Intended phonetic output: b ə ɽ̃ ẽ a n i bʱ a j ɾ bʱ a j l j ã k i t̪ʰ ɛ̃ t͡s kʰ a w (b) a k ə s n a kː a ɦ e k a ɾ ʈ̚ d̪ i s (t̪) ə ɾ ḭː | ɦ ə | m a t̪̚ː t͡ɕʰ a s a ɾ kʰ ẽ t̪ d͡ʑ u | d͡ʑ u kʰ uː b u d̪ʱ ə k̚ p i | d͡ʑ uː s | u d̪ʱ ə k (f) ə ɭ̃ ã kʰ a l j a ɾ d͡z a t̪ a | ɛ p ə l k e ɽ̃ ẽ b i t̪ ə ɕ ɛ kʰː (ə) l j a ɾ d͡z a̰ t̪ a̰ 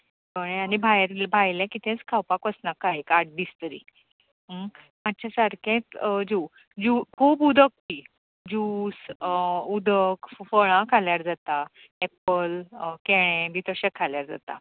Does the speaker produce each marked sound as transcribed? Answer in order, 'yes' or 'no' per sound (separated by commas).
no, yes, yes, no